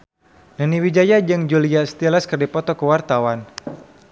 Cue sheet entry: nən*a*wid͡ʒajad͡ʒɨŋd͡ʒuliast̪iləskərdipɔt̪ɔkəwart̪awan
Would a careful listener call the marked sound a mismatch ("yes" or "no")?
yes